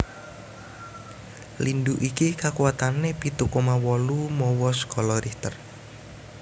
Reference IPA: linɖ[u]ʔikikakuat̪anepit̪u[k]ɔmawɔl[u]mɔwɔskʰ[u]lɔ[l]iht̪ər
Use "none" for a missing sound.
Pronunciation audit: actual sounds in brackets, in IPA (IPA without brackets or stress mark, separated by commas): u, k, u, ɔ, ɾ